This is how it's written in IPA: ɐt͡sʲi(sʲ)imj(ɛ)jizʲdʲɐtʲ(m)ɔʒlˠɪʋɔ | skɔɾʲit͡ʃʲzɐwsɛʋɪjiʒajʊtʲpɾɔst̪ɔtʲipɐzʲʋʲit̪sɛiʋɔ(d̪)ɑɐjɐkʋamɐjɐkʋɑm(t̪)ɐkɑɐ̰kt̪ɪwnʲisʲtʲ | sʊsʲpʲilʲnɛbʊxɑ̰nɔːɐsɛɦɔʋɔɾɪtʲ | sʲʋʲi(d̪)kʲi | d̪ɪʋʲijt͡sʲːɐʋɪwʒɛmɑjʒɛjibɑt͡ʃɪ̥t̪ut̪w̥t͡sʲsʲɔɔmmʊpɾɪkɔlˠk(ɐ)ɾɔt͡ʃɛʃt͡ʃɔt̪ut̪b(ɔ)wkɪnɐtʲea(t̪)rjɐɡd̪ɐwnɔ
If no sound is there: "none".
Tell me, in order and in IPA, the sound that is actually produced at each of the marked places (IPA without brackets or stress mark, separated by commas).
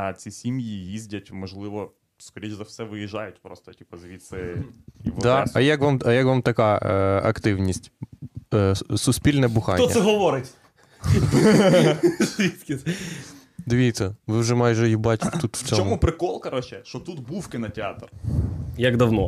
sʲ, i, m, d̪, t̪, t̪, ɐ, u, t̪